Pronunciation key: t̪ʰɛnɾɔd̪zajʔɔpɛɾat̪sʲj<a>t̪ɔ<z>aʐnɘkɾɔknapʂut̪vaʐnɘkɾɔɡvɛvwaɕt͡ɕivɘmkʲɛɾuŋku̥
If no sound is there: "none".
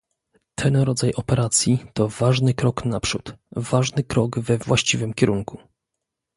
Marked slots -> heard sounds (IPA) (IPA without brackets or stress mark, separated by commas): i, v